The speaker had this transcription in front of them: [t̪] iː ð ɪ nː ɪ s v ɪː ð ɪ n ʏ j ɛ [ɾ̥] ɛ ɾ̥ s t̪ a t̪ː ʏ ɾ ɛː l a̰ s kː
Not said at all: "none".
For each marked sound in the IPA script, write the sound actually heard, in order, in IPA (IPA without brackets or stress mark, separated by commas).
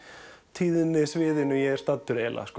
t̪ʰ, none